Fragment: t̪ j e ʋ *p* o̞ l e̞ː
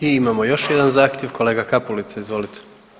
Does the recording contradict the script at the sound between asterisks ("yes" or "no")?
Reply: yes